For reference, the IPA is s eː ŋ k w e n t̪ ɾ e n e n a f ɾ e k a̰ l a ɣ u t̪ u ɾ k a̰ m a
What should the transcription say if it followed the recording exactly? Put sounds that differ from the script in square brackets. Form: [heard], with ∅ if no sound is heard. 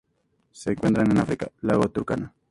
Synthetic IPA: s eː ŋ k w e n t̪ ɾ [a] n e n a f ɾ [i] k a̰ l a ɣ [o] t̪ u ɾ k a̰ [n] a